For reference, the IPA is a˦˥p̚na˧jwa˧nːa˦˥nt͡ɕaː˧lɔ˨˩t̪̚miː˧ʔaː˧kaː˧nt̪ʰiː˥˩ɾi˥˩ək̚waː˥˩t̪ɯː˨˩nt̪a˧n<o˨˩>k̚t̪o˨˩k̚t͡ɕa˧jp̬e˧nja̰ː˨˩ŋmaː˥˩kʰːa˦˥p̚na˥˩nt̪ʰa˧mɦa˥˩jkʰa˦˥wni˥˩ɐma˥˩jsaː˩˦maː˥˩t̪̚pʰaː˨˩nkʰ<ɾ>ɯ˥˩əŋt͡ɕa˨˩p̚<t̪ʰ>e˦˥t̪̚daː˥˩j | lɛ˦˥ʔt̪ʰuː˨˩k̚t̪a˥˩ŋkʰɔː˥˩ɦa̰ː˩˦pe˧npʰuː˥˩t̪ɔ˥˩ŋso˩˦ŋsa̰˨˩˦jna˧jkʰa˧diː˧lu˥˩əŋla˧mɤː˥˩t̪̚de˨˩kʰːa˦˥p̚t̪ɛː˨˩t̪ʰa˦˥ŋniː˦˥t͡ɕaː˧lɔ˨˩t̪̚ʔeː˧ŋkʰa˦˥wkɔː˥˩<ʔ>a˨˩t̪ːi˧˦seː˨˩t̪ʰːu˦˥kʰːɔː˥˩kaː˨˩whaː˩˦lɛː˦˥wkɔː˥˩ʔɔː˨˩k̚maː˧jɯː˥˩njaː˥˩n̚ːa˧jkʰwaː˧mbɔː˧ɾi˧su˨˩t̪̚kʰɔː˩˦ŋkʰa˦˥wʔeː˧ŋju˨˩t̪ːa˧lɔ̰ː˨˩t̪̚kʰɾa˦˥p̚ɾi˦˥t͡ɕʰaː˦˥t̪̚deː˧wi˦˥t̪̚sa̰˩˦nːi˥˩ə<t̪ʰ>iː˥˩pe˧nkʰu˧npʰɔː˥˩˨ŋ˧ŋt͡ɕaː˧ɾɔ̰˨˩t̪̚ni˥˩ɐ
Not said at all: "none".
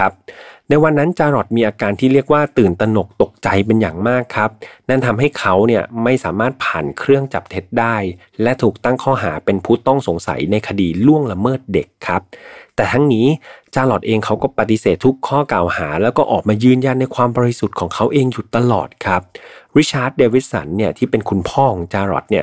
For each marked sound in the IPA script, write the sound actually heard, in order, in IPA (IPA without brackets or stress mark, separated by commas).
o˨˩, ɾ, t̪ʰ, p, t̪ʰ